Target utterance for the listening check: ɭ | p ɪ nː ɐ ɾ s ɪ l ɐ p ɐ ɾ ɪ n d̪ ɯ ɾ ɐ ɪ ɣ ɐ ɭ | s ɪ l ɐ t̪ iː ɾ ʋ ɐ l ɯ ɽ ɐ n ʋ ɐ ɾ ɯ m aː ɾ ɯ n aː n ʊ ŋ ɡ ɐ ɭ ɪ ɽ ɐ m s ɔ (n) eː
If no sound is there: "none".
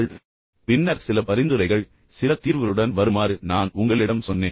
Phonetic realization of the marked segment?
nː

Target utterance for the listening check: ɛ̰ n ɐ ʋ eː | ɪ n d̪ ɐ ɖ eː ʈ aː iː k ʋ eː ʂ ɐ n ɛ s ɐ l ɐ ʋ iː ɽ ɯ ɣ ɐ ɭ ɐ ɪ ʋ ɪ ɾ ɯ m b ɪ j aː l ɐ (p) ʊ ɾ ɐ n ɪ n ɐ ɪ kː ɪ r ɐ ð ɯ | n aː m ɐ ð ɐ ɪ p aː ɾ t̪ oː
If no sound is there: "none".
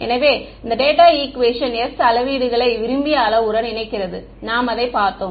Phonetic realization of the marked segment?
none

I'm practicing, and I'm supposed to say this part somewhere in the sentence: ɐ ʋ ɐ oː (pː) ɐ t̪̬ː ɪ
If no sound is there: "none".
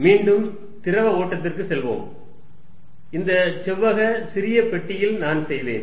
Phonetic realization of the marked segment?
ʈː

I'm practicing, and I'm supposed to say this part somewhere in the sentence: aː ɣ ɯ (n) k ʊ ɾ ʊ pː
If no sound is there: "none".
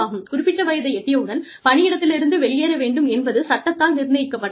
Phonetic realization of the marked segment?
m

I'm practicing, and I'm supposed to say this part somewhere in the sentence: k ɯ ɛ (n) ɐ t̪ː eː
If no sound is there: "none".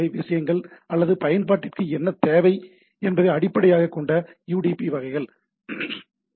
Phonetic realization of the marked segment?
nː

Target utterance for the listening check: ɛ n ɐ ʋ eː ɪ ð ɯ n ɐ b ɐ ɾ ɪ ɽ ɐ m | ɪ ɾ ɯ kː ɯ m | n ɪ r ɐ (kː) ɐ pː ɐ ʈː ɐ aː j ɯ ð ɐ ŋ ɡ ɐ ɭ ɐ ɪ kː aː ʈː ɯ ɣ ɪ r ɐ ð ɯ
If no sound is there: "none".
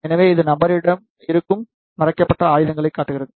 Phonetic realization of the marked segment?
kː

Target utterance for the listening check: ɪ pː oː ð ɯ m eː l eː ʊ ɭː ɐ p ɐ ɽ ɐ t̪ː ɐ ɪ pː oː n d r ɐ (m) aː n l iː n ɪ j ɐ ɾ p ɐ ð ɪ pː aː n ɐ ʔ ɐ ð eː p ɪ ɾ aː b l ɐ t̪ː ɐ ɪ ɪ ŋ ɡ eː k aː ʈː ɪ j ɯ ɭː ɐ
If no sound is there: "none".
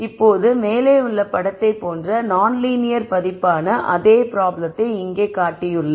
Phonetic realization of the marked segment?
n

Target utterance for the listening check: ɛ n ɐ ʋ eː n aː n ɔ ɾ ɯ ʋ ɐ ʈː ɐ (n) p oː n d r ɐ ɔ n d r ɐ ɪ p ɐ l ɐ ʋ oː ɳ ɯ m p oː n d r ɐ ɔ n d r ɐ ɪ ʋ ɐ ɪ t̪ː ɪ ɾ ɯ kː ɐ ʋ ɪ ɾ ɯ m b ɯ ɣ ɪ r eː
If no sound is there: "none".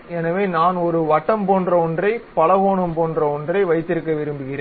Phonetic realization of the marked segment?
m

